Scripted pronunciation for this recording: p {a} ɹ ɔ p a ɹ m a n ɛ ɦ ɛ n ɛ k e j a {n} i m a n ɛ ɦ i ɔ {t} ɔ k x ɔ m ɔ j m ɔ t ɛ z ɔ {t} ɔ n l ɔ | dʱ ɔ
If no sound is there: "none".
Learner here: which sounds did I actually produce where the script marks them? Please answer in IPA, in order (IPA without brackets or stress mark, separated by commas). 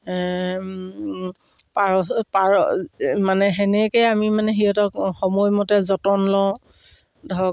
a, m, t, t